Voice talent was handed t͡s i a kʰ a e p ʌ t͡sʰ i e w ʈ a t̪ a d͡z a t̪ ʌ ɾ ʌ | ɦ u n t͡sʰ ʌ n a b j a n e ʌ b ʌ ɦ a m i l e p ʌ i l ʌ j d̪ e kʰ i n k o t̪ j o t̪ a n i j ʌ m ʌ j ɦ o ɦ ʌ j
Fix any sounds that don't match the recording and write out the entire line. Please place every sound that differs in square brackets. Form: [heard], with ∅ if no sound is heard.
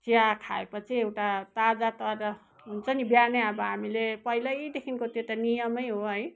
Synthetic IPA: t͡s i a kʰ a e p ʌ t͡sʰ i e w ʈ a t̪ a d͡z a t̪ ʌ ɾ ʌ | ɦ u n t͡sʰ ʌ n [i] b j a n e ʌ b ʌ ɦ a m i l e p ʌ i l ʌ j d̪ e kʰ i n k o t̪ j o t̪ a n i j ʌ m ʌ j ɦ o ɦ ʌ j